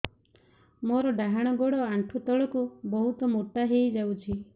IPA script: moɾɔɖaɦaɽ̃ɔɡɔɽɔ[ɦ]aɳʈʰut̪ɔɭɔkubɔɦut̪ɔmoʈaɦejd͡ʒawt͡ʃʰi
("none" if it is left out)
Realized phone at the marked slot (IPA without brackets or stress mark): none